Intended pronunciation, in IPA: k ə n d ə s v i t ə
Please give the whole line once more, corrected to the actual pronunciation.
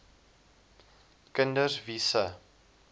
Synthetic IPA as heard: k ə n d ə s v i s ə